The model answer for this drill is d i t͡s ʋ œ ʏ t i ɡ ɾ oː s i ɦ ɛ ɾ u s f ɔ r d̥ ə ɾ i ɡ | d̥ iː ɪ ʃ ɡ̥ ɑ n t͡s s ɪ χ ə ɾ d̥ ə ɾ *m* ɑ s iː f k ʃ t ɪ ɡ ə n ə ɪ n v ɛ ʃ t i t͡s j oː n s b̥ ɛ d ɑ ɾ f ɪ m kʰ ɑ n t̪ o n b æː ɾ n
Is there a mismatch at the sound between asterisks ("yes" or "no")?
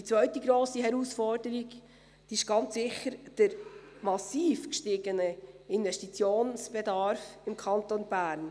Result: no